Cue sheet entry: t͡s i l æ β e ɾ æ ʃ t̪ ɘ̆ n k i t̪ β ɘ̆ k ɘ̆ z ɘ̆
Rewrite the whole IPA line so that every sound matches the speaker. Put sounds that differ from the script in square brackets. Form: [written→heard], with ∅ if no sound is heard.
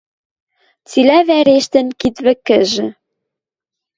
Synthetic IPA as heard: t͡s i l æ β [e→æ] ɾ [æ→e] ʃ t̪ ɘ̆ n k i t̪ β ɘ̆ k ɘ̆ [z→ʒ] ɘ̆

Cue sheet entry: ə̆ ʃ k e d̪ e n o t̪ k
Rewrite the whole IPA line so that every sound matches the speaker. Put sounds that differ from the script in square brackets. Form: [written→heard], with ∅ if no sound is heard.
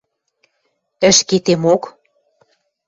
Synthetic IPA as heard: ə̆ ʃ k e [d̪→t̪] e [n→m] o [t̪→∅] k

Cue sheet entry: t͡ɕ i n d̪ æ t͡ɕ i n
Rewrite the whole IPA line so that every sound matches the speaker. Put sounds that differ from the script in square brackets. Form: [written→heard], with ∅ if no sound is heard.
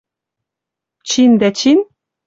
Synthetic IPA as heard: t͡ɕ i n d̪ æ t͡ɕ i n

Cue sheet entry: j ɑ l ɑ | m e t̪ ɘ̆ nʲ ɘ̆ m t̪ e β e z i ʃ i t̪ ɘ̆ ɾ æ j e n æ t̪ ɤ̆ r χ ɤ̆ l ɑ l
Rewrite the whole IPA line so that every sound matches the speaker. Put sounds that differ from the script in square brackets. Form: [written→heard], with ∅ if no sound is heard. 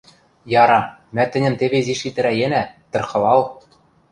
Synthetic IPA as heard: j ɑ [l→ɾ] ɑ | m [e→æ] t̪ ɘ̆ nʲ ɘ̆ m t̪ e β e z i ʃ i t̪ ɘ̆ ɾ æ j e n æ t̪ ɤ̆ r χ ɤ̆ l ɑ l

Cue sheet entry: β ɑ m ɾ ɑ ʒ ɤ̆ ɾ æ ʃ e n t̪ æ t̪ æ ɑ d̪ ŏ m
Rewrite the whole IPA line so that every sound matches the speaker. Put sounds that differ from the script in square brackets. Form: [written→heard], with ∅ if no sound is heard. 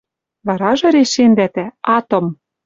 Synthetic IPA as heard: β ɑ [m→∅] ɾ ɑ ʒ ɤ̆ ɾ [æ→e] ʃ e n [t̪→d̪] æ t̪ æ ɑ [d̪→t̪] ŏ m

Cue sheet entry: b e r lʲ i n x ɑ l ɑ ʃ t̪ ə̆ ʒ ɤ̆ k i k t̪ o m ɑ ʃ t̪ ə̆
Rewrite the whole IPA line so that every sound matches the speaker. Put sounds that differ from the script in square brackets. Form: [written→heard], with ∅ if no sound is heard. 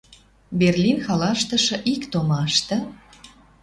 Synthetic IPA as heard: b e r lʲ i n x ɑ l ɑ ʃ t̪ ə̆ [ʒ→ʃ] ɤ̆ [k→ʔ] i k t̪ o m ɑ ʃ t̪ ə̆

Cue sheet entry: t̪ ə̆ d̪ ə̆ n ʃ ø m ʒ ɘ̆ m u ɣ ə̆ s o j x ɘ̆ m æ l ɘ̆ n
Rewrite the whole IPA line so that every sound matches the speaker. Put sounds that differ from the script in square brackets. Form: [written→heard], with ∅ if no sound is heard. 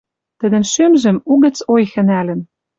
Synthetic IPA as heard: t̪ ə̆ d̪ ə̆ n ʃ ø m ʒ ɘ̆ m u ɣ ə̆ [s→t͡s] o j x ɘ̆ [m→n] æ l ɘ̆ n

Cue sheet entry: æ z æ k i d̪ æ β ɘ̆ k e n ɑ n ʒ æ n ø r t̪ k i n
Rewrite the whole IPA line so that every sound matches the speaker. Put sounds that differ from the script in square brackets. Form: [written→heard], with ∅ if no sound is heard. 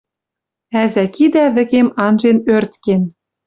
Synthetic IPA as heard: æ z æ k i d̪ æ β ɘ̆ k e [n→m] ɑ n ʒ [æ→e] n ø r t̪ k [i→e] n

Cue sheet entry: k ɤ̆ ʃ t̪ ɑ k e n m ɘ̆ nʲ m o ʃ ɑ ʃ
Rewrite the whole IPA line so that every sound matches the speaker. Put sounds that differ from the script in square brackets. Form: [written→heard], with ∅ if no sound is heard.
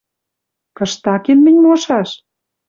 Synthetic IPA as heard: k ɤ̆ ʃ t̪ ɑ k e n m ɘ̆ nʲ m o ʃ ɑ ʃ

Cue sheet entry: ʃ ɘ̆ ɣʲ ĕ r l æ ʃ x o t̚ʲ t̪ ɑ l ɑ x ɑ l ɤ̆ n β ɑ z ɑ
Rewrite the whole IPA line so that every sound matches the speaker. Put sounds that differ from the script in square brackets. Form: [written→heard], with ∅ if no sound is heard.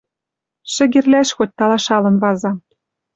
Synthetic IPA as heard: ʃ ɘ̆ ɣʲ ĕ r l æ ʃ x o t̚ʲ t̪ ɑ l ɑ [x→ʃ] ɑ l ɤ̆ n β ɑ z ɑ

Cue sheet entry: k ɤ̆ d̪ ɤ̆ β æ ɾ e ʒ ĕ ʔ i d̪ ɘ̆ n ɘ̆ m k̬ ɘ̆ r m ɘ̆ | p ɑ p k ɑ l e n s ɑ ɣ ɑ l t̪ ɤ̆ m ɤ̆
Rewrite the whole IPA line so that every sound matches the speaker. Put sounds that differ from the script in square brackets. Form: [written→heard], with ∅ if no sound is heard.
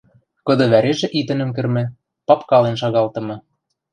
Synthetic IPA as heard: k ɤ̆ d̪ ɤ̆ β æ ɾ e ʒ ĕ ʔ i [d̪→t̪] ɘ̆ n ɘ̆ m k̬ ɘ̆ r m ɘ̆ | p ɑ p k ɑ l e n [s→ʃ] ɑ ɣ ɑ l t̪ ɤ̆ m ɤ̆

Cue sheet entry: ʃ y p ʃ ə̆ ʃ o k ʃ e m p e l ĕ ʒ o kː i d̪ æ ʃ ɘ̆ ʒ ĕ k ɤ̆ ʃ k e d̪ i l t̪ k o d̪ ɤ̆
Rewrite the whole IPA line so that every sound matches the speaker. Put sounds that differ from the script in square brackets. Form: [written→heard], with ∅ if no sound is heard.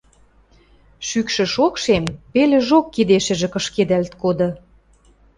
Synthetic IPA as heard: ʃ y [p→k] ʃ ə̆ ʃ o k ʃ e m p e l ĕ ʒ o kː i d̪ [æ→e] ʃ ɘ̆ ʒ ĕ k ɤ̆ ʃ k e d̪ [i→æ] l t̪ k o d̪ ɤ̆

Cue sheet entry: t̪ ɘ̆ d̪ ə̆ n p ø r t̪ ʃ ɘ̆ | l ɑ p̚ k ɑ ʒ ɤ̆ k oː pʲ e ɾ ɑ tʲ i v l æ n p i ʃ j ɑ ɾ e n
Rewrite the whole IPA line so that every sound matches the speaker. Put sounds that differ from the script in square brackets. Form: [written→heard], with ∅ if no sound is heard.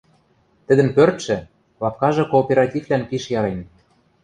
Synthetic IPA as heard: t̪ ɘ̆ d̪ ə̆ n p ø r t̪ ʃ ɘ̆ | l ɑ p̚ k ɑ ʒ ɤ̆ k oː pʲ e ɾ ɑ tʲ i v l æ n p i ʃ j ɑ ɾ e n

